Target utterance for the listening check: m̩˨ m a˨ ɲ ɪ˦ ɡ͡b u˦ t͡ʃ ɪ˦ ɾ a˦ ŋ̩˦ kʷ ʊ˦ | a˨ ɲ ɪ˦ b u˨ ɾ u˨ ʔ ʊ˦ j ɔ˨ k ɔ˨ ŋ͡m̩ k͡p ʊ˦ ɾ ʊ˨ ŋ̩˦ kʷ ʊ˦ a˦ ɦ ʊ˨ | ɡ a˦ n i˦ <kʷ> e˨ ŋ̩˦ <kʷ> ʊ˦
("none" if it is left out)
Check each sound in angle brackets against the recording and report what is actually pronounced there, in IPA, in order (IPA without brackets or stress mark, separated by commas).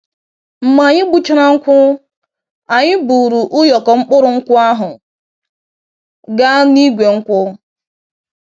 ɡʷ, kʷ